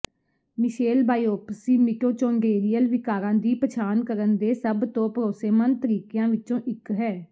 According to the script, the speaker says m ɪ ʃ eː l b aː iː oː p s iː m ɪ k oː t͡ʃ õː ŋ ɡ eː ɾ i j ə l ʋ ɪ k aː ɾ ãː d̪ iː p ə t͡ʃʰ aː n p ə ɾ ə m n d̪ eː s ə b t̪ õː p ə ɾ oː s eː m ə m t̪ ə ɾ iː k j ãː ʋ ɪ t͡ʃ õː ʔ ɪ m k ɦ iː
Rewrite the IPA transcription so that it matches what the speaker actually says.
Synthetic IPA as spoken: m ɪ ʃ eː l b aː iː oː p s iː m ɪ k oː t͡ʃ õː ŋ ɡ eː ɾ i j ə l ʋ ɪ k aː ɾ ãː d̪ iː p ə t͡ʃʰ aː n k ə ɾ ə n d̪ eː s ə b t̪ õː p ə ɾ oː s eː m ə n t̪ ə ɾ iː k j ãː ʋ ɪ t͡ʃ õː ʔ ɪ k ɦ ɛː